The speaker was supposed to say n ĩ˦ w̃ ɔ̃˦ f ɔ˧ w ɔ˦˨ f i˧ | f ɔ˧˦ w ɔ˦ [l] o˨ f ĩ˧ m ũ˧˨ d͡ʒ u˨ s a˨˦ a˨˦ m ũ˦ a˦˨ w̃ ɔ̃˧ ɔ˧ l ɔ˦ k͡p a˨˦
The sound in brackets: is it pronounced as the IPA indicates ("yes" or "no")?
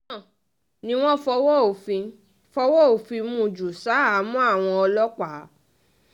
no